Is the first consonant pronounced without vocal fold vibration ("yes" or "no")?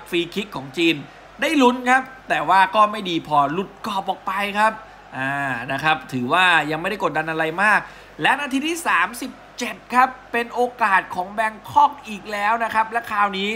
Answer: yes